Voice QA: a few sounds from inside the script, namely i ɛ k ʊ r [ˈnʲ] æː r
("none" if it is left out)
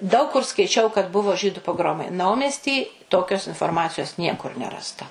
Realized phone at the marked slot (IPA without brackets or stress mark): nʲ